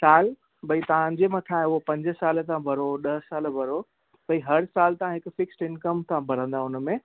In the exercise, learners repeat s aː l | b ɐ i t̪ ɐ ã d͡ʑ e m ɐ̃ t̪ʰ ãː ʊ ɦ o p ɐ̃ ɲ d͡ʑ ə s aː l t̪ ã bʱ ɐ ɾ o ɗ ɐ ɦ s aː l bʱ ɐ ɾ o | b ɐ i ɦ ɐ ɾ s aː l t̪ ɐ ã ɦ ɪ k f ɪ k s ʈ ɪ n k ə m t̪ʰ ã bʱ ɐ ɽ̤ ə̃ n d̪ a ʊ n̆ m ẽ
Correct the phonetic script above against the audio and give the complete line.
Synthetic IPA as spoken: s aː l | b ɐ i t̪ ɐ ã d͡ʑ e m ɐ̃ t̪ʰ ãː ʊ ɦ o p ɐ̃ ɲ d͡ʑ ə s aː l t̪ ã bʱ ɐ ɾ o ɗ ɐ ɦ s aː l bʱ ɐ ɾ o | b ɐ i ɦ ɐ ɾ s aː l t̪ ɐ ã ɦ ɪ k f ɪ k s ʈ ɪ n k ə m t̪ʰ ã bʱ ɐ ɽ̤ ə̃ n d̪ a ʊ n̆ m ẽ